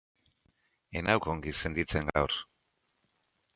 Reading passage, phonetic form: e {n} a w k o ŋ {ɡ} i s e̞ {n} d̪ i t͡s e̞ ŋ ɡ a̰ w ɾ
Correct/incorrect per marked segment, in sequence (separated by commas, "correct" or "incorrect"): correct, correct, correct